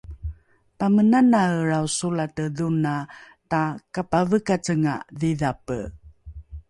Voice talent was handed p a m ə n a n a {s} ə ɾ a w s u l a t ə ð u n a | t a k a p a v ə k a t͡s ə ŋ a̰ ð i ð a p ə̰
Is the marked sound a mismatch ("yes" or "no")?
yes